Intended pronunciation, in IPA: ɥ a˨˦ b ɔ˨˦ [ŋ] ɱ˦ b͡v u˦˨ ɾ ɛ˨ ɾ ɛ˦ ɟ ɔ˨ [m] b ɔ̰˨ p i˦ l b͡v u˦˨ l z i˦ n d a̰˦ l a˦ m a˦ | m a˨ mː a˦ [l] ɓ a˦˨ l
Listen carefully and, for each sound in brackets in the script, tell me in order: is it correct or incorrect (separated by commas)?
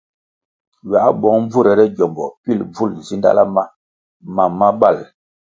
correct, correct, incorrect